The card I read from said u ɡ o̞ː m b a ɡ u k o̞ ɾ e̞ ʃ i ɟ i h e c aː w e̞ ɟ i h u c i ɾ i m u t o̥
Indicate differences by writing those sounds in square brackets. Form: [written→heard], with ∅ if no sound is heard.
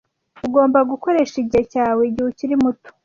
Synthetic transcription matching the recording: u ɡ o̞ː m b a ɡ u k o̞ ɾ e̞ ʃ i ɟ i h e c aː w e̞ ɟ i h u c i ɾ i m u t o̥